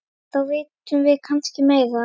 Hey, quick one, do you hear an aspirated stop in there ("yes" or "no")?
yes